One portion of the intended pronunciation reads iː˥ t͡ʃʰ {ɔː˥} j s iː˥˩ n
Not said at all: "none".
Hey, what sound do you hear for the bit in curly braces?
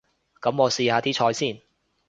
ɔː˧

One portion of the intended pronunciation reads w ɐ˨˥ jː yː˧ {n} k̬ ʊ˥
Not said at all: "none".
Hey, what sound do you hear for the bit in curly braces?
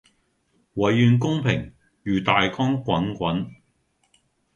n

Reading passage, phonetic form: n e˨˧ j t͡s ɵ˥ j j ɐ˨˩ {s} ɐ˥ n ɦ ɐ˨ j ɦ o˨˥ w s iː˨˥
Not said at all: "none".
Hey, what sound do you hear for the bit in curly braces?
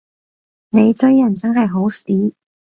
t͡s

